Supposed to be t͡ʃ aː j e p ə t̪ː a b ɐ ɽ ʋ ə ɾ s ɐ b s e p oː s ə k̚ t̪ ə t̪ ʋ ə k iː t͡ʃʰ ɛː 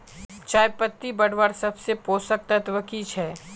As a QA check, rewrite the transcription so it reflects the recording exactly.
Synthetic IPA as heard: t͡ʃ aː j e p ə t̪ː i b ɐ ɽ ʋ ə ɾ s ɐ b s e p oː s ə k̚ t̪ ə t̪ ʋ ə k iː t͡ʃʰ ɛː